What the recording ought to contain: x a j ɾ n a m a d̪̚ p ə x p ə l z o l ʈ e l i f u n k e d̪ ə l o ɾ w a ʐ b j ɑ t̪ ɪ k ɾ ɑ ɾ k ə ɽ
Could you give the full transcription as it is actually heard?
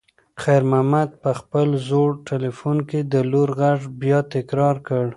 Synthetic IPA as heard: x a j ɾ m a m a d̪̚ p ə x p ə l z o ɽ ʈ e l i f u n k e d̪ ə l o ɾ ɣ a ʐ b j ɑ t̪ ɪ k ɾ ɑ ɾ k ə ɽ